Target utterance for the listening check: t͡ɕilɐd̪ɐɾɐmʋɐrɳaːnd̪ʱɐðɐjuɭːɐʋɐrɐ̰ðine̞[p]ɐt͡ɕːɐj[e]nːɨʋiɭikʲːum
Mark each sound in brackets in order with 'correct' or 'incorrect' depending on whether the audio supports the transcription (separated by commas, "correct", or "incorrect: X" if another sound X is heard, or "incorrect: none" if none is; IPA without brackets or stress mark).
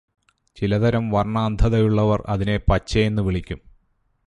correct, correct